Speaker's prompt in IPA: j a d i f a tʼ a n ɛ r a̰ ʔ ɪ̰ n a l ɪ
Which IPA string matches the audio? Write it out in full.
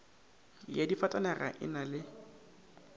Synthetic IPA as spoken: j a d i f a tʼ a n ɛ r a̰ ʔ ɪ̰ n a l ɪ